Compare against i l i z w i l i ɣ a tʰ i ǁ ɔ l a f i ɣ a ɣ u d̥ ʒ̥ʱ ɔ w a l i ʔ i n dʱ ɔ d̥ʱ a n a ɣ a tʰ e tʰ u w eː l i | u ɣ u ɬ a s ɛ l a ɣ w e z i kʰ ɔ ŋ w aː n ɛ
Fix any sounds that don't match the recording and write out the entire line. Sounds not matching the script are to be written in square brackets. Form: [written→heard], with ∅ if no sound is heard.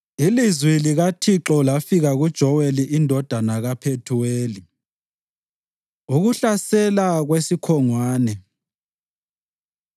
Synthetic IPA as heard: i l i z w i l i ɣ a tʰ i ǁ ɔ l a f i ɣ a ɣ u d̥ ʒ̥ʱ ɔ w [a→e] l i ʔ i n dʱ ɔ d̥ʱ a n a ɣ a [tʰ→pʰ] e tʰ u w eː l i | u ɣ u ɬ a s ɛ l a ɣ w e [z→s] i kʰ ɔ ŋ w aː n ɛ